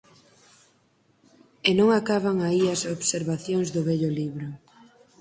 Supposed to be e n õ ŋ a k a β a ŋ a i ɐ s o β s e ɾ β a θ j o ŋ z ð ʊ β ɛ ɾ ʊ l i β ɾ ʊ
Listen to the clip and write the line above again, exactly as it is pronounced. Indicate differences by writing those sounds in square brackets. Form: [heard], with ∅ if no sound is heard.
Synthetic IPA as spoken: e n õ ŋ a k a β a ŋ a i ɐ s o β s e ɾ β a θ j o ŋ z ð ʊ β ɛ [ʎ] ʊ l i β ɾ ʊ